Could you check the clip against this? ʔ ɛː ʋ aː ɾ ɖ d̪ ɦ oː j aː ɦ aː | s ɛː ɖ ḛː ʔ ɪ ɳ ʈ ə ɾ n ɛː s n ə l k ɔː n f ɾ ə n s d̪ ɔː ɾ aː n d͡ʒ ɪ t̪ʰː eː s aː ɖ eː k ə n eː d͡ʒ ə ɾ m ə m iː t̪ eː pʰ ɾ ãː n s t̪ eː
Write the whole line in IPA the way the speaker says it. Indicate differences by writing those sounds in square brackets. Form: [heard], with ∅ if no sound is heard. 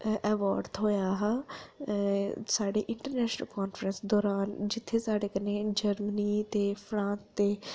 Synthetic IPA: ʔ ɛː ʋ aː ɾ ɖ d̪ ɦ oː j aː ɦ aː | s [aː] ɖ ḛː ʔ ɪ ɳ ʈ ə ɾ n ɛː [ʃ] n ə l k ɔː n f ɾ ə n s d̪ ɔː ɾ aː n d͡ʒ ɪ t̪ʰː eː s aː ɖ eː k ə n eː d͡ʒ ə ɾ m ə [n] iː t̪ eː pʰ ɾ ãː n s t̪ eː